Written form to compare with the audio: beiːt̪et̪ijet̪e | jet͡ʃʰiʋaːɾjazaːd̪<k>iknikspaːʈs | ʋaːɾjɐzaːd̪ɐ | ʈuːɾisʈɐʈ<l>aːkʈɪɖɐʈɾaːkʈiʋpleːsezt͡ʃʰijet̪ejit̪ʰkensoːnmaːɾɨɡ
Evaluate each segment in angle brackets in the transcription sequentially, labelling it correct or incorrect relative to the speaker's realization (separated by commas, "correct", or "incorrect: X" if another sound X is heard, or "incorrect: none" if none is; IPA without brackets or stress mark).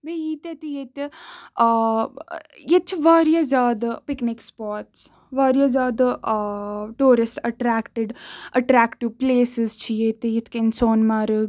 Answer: incorrect: p, incorrect: ɾ